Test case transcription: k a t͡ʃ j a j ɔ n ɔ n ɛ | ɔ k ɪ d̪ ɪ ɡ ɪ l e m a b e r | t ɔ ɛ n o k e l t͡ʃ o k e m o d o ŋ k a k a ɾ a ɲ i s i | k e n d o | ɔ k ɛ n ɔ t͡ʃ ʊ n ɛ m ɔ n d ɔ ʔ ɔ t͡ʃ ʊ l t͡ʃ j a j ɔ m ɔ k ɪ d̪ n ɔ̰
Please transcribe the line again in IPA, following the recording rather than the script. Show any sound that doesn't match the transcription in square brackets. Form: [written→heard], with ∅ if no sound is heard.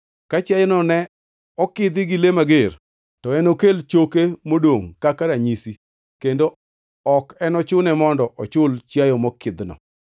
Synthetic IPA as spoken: k a t͡ʃ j a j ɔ n ɔ n ɛ | ɔ k ɪ d̪ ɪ ɡ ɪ l e m a [b→ɡ] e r | t ɔ ɛ n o k e l t͡ʃ o k e m o d o ŋ k a k a ɾ a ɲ i s i | k e n d o | ɔ k ɛ n ɔ t͡ʃ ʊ n ɛ m ɔ n d ɔ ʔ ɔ t͡ʃ ʊ l t͡ʃ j a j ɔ m ɔ k ɪ d̪ n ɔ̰